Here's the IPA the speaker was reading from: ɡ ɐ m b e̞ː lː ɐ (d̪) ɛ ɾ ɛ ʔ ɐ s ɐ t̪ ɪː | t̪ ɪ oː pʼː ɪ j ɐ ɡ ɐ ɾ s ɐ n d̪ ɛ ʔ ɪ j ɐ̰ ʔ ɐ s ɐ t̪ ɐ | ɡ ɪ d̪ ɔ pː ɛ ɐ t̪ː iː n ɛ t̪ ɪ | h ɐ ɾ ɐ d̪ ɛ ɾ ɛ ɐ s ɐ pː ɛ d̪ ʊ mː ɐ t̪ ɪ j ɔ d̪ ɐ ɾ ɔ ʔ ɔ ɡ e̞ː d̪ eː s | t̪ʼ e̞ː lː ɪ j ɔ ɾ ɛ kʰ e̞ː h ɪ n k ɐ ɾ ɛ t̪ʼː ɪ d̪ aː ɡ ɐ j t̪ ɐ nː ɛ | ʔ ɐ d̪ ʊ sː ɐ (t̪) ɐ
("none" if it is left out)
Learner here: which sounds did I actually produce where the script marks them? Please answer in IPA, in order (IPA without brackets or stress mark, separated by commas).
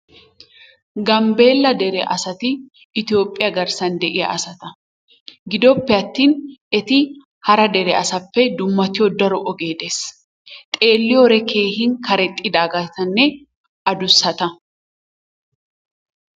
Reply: d̪, t̪